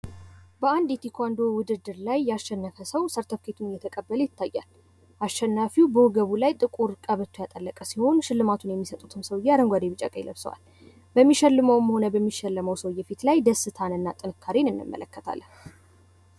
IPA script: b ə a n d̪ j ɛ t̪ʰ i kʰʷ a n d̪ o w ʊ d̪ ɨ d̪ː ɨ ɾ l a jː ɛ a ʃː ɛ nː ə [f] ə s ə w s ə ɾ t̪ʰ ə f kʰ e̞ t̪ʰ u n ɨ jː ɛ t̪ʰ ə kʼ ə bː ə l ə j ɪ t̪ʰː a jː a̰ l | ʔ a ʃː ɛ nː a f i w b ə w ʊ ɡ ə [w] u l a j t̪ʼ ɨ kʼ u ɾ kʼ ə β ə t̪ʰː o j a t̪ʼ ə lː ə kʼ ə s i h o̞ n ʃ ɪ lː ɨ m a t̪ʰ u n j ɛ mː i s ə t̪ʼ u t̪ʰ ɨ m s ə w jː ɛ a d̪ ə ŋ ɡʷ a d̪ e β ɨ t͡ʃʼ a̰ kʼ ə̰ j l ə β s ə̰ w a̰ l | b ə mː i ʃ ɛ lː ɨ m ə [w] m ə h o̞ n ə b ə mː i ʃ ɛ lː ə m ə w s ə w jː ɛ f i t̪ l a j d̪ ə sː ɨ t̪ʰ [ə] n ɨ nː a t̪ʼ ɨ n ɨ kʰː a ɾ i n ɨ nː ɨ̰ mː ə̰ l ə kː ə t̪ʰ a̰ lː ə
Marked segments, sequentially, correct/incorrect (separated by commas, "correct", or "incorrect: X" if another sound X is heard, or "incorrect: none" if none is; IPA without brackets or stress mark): correct, incorrect: β, correct, incorrect: a